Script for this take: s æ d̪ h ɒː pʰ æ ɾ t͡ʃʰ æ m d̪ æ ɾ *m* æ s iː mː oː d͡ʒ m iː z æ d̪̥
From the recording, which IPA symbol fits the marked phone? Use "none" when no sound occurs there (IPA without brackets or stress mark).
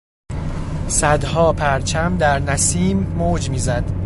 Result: n